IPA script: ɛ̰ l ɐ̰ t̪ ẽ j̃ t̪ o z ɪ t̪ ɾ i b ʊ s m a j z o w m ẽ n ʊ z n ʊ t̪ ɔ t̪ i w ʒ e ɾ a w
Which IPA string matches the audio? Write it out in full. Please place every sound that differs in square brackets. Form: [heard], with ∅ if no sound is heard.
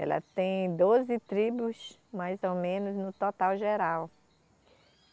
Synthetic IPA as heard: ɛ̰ l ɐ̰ t̪ ẽ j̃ [d̪] o z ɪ t̪ ɾ i b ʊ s m a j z o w m ẽ n ʊ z n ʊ t̪ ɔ t̪ [a] w ʒ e ɾ a w